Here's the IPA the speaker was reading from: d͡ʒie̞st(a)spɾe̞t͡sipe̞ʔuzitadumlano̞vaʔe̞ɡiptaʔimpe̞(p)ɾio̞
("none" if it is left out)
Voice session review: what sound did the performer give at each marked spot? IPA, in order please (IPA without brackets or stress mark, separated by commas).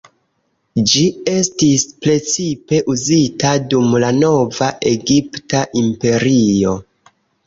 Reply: i, none